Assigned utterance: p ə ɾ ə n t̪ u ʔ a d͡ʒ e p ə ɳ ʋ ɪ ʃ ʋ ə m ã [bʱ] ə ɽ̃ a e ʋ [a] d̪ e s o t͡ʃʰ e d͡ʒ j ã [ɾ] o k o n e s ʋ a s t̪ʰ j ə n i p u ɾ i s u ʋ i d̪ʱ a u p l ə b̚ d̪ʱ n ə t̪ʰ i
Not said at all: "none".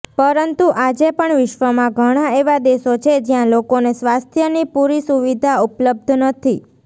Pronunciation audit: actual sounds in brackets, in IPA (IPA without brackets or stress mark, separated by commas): ɡʱ, a, l